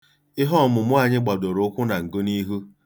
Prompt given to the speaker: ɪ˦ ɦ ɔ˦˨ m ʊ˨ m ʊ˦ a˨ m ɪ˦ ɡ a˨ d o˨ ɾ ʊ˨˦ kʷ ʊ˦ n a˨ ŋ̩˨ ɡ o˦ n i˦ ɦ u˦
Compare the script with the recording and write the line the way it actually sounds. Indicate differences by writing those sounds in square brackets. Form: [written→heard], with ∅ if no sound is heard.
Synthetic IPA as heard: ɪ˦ ɦ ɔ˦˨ m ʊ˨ m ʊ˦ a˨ [m→ɲ] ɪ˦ [ɡ→ɡ͡b] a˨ d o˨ ɾ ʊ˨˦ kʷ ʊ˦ n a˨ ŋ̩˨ ɡ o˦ n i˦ ɦ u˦